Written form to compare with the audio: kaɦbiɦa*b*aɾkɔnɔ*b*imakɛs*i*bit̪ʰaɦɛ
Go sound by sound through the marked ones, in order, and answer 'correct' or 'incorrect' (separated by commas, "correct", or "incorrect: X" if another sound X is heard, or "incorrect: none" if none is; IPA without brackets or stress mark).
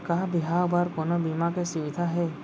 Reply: correct, correct, correct